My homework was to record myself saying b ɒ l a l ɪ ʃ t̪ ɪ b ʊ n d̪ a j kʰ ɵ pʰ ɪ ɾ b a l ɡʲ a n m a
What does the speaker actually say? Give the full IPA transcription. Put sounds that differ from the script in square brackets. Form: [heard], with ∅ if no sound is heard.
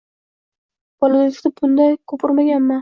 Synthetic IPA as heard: b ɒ l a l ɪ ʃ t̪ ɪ b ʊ n d̪ a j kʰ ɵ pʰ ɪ ɾ [m] a [∅] ɡʲ a n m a